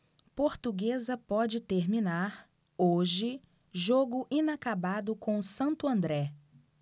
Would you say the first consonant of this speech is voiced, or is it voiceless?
voiceless